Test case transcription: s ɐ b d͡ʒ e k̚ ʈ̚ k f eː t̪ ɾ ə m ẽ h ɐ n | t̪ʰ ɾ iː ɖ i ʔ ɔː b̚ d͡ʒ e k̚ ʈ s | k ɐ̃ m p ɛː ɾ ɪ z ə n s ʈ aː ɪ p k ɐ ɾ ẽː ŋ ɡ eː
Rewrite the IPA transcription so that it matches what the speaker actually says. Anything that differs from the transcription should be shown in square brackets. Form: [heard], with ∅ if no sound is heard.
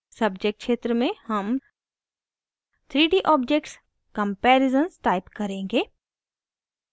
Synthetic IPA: s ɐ b d͡ʒ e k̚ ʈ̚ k [ʃ] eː t̪ ɾ ə m ẽ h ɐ [m] | t̪ʰ ɾ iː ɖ i ʔ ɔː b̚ d͡ʒ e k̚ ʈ s | k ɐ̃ m p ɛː ɾ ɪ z ə n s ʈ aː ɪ p k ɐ ɾ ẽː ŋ ɡ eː